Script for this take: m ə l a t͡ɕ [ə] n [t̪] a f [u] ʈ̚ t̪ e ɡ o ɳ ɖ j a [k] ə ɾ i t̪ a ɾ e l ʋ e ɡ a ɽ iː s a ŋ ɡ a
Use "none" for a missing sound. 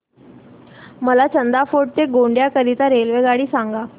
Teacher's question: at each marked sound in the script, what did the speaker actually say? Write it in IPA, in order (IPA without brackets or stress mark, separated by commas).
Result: ə, d̪, o, k